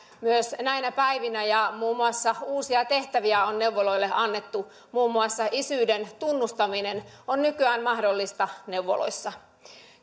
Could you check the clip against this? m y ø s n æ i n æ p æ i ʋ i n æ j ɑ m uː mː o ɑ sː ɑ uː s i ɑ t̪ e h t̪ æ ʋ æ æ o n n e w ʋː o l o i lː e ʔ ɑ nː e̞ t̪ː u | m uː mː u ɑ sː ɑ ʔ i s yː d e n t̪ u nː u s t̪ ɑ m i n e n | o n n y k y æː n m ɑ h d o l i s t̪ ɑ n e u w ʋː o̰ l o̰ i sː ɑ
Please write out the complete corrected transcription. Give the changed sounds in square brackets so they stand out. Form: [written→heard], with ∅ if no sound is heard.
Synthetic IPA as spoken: m y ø s n æ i n æ p æ i ʋ i n æ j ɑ m uː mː [o→u] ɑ sː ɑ uː s i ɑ t̪ e h t̪ æ ʋ [æ→i] æ o n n e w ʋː o l o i lː e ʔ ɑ nː e̞ t̪ː u | m uː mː u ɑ sː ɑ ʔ i s yː d e n t̪ u nː u s t̪ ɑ m i n e n | o n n y k y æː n m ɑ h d o [l→lː] i s t̪ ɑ n e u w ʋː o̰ l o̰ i sː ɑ